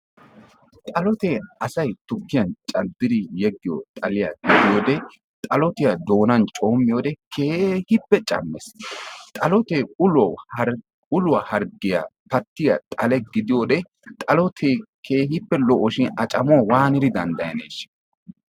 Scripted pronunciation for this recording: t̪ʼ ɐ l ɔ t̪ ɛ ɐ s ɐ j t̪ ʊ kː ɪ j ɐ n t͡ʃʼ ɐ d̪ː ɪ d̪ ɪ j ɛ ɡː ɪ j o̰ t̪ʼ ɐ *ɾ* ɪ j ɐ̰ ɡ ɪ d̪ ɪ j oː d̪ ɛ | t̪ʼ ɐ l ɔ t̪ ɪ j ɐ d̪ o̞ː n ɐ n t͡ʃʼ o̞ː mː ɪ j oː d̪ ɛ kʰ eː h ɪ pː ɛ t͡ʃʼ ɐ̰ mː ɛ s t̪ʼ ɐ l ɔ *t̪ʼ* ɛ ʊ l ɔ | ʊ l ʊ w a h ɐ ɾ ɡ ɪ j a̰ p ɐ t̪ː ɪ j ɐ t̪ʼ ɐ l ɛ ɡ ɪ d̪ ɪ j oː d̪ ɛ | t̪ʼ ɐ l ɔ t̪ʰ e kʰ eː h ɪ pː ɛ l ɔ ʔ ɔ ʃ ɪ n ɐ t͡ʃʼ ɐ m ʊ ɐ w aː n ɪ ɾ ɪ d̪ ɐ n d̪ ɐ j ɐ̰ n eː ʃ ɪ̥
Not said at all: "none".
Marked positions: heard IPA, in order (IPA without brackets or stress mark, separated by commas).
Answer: l, t̪